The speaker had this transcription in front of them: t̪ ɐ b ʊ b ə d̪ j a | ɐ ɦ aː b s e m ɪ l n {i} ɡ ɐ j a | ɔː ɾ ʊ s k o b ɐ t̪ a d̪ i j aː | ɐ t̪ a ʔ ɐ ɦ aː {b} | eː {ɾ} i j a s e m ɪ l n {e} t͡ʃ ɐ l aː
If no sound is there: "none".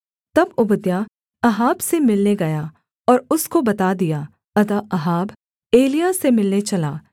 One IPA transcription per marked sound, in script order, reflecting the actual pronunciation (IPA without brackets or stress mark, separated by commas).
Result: e, b, l, e